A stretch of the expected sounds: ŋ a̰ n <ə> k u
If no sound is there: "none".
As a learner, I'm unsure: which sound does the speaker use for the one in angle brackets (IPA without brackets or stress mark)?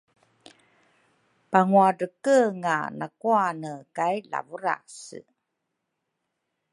a